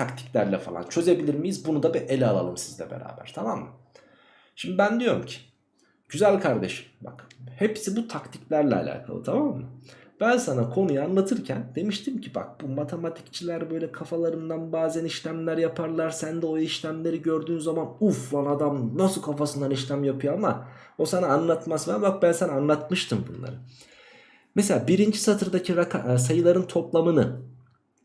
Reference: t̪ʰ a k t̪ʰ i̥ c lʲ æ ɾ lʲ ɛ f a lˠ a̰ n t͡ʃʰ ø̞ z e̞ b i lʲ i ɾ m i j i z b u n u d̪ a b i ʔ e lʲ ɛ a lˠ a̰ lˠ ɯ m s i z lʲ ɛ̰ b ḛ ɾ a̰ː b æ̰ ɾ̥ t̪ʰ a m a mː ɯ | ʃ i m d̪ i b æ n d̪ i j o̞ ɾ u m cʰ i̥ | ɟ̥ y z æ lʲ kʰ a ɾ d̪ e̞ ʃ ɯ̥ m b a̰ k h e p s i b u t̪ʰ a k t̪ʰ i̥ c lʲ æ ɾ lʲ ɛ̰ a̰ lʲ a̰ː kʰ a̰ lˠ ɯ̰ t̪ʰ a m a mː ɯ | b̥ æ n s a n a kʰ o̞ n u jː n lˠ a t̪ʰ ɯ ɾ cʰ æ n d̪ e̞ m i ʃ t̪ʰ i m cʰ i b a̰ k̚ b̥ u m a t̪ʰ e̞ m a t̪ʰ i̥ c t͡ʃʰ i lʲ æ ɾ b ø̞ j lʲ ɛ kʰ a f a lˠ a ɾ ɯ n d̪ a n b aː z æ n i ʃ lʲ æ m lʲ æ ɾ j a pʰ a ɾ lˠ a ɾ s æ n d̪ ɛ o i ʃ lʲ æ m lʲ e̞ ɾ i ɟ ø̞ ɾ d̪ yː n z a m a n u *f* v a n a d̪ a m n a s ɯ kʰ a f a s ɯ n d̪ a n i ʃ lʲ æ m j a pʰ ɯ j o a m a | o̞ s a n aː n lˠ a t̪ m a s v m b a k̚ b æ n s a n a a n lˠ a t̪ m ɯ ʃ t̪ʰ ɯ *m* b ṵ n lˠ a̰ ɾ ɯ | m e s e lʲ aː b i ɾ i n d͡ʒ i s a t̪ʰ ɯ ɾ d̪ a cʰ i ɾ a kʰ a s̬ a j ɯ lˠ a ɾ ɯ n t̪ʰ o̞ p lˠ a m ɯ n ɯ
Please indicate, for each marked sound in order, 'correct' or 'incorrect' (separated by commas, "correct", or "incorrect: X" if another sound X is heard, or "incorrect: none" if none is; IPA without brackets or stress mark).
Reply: correct, correct